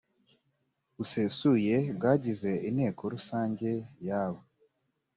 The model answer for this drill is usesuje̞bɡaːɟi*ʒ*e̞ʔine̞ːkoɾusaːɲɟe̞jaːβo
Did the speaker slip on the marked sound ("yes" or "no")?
yes